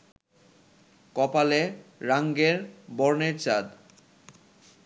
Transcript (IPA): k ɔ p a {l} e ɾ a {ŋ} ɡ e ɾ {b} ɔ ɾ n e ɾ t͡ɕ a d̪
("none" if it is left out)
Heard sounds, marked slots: l, ŋ, b

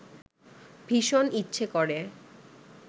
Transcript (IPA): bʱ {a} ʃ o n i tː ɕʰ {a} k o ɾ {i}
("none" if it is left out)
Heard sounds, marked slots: i, e, e

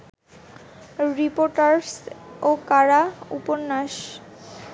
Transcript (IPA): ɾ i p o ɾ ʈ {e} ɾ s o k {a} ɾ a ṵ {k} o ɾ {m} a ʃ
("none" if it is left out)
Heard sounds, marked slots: a, a, p, n

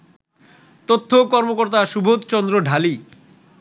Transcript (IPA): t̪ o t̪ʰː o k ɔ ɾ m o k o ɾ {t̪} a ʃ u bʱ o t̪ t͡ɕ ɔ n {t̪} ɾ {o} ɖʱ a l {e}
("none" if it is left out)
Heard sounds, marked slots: t̪, d̪, o, i

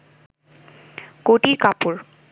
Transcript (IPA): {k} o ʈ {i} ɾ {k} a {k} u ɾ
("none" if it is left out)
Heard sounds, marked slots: k, i, k, p

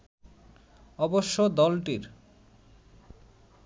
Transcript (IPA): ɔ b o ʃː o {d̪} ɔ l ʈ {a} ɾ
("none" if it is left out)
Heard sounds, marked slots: d̪, i

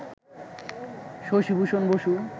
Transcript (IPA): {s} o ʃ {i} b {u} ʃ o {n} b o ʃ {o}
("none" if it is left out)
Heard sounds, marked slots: ʃ, i, u, n, u

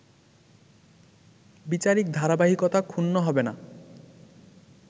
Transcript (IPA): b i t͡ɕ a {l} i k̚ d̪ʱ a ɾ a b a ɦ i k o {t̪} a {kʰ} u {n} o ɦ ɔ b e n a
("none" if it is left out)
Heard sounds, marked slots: ɾ, t̪, kʰ, nː

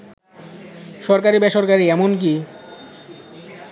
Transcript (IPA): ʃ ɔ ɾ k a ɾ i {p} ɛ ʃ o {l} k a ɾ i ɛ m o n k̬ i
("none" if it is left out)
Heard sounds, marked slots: b, ɾ

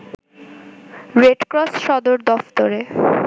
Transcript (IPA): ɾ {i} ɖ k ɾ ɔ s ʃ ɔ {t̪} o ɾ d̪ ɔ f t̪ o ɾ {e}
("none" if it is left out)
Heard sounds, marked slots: e, d̪, e

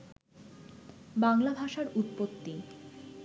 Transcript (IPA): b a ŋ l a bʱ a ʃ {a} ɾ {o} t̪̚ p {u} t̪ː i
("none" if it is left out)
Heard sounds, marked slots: a, u, o

